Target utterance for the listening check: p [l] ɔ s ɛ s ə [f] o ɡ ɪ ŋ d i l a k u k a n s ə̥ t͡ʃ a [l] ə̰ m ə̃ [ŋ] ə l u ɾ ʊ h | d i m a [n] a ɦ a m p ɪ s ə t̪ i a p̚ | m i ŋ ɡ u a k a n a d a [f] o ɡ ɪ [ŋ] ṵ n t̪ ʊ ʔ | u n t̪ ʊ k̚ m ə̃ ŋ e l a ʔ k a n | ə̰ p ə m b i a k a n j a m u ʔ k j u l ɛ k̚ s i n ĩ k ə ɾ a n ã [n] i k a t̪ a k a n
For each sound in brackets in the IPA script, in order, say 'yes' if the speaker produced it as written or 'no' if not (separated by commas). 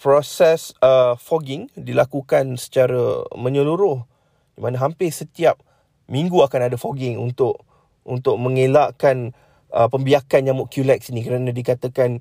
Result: no, yes, no, no, yes, yes, yes, no